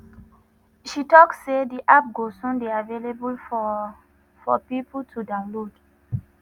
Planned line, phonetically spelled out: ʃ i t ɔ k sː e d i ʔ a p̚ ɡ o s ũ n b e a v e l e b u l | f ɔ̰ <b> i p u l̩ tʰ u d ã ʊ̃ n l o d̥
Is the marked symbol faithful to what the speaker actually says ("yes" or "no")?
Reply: no